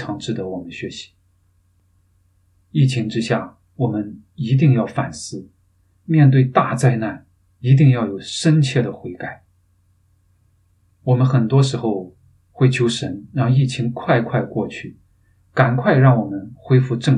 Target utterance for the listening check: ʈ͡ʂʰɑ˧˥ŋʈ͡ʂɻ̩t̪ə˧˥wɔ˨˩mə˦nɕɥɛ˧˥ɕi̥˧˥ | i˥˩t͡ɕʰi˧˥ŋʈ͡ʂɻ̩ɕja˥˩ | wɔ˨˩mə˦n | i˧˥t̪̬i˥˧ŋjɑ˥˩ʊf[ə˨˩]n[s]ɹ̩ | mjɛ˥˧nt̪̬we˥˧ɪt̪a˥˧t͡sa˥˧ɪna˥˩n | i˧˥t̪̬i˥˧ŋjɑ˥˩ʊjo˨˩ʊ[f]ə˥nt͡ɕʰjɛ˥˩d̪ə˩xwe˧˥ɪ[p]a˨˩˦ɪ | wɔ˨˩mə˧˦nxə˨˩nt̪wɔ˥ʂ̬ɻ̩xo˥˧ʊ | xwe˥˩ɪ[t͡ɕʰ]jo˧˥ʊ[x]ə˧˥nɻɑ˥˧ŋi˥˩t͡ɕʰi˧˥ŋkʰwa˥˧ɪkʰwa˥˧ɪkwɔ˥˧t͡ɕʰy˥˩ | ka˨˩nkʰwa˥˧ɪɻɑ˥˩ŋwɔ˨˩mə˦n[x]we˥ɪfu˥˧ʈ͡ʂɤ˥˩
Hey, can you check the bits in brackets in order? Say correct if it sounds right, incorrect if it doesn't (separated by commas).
incorrect, correct, incorrect, incorrect, correct, incorrect, correct